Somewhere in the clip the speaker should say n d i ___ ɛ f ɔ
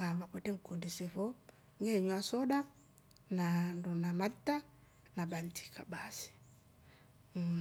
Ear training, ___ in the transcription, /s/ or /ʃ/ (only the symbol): s